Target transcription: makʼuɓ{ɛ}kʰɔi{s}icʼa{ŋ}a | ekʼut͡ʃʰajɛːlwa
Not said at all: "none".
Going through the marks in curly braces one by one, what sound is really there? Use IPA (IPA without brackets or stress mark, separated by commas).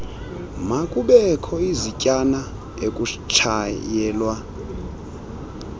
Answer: ɛ, z, n